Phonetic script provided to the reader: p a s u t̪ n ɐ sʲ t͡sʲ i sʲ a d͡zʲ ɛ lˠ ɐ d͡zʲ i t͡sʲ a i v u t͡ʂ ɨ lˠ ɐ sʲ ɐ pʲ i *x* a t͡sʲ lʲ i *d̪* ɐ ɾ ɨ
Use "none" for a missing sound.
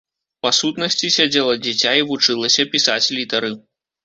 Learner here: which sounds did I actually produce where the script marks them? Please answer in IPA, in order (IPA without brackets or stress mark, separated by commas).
s, t̪